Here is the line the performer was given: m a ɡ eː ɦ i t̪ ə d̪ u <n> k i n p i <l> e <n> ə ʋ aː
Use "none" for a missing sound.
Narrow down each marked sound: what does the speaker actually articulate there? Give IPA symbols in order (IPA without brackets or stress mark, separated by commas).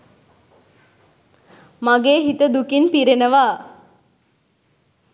none, ɾ, n